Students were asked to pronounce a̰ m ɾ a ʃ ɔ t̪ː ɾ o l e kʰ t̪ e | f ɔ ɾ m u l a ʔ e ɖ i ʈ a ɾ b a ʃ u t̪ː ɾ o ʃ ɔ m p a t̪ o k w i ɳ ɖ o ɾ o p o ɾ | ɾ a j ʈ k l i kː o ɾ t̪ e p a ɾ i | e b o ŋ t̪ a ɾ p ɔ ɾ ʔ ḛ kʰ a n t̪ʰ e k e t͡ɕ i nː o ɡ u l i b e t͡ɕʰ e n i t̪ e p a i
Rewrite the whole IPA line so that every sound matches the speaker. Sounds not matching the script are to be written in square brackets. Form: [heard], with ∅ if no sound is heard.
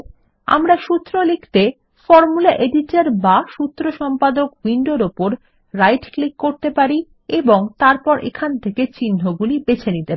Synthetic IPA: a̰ m ɾ a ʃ [u] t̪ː ɾ o l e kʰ t̪ e | f ɔ ɾ m u l a ʔ e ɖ i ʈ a ɾ b a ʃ u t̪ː ɾ o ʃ ɔ m p a [d̪] o k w i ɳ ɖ o ɾ o p o ɾ | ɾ a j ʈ k l i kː o ɾ t̪ e p a ɾ i | e b o ŋ t̪ a ɾ p ɔ ɾ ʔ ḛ kʰ a n t̪ʰ e k e t͡ɕ i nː o ɡ u l i b e t͡ɕʰ e n i t̪ e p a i